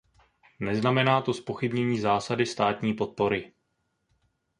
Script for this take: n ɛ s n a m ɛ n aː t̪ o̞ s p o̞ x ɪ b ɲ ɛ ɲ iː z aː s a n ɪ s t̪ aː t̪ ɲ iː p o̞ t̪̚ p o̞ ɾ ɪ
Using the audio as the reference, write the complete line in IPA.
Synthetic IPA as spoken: n ɛ z n a m ɛ n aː t̪ o̞ s p o̞ x ɪ b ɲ ɛ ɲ iː z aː s a d ɪ s t̪ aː t̪ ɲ iː p o̞ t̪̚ p o̞ ɾ ɪ